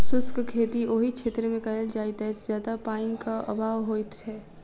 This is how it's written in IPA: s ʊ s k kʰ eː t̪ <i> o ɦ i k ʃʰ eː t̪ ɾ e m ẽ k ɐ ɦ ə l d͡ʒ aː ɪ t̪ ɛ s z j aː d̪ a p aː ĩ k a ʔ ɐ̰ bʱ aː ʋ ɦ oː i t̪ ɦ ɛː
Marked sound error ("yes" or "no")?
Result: no